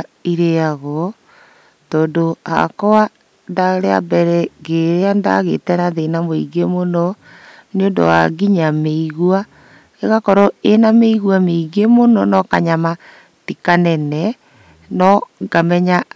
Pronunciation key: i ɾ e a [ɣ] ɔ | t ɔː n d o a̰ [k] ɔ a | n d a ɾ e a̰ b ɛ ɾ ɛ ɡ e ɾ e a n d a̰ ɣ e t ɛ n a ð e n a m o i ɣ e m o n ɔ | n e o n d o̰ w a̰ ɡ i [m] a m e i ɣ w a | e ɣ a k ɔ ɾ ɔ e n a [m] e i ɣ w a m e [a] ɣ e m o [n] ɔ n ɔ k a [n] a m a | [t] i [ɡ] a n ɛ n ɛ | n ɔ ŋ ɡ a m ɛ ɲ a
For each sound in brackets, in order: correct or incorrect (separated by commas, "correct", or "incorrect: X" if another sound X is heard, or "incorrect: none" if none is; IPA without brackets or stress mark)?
correct, correct, incorrect: ɲ, correct, incorrect: i, correct, incorrect: ɲ, correct, incorrect: k